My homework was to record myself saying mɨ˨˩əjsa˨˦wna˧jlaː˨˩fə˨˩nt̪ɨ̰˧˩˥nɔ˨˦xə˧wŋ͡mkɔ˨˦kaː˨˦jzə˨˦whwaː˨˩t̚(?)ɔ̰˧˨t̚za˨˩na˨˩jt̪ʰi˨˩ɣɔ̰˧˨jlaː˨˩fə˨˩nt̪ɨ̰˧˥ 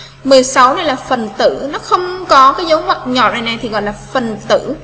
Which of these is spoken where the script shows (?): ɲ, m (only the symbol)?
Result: ɲ